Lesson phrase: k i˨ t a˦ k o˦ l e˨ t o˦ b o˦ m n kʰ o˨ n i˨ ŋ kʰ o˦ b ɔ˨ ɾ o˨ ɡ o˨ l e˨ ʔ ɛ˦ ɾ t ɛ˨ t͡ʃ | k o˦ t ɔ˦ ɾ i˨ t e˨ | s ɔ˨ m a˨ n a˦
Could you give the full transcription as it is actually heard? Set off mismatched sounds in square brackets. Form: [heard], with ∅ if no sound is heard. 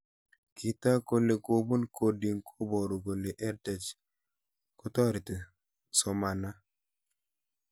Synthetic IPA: k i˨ t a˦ k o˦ l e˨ [k] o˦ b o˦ [∅] n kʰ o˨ [d] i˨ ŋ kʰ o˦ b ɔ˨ ɾ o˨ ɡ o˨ l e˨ ʔ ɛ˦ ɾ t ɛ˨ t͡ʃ | k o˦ t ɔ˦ ɾ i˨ t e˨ | s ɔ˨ m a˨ n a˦